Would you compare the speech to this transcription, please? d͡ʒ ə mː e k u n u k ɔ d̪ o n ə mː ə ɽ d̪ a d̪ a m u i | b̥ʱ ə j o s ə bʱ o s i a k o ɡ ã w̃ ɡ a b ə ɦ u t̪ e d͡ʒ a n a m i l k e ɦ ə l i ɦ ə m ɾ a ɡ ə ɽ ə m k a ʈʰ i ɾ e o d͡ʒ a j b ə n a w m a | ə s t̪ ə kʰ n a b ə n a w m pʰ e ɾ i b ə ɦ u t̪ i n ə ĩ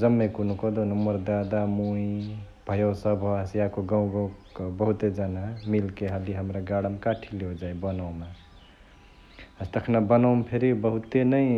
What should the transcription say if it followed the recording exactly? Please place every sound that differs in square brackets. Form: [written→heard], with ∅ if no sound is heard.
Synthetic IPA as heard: d͡ʒ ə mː e k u n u k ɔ d̪ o n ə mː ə [ɽ→ɾ] d̪ a d̪ a m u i | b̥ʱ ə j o s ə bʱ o s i a k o ɡ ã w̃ ɡ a b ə ɦ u t̪ e d͡ʒ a n a m i l k e ɦ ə l i ɦ ə m ɾ a ɡ [ə→a] ɽ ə m k a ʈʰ i [ɾ→l] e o d͡ʒ a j b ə n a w m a | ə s t̪ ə kʰ n a b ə n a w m pʰ e ɾ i b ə ɦ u t̪ [i→e] n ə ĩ